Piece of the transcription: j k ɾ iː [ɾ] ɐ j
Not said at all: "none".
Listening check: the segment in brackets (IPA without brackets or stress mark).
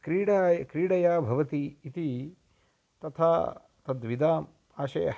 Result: ɽ